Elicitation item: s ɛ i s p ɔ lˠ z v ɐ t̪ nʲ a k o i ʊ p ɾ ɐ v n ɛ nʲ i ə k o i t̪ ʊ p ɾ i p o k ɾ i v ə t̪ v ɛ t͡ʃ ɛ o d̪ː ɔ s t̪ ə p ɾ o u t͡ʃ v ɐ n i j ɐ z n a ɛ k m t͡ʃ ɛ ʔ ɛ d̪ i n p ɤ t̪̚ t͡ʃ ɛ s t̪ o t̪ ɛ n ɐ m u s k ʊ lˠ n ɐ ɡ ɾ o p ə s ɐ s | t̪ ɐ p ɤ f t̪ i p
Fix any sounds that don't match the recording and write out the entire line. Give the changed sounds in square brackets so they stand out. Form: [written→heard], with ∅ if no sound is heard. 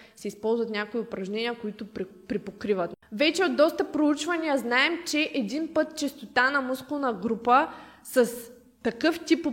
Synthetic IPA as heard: s ɛ i s p ɔ lˠ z v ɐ t̪ nʲ a k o i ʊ p ɾ ɐ [v→ʒ] n ɛ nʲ i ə k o i t̪ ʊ p ɾ i p o k ɾ i v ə t̪ v ɛ t͡ʃ ɛ o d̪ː ɔ s t̪ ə p ɾ o u t͡ʃ v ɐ n i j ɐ z n a ɛ [k→∅] m t͡ʃ ɛ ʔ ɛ d̪ i n p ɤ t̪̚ t͡ʃ ɛ s t̪ o t̪ [ɛ→a] n ɐ m u s k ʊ lˠ n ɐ ɡ ɾ [o→u] p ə s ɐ s | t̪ ɐ [p→k] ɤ f t̪ i p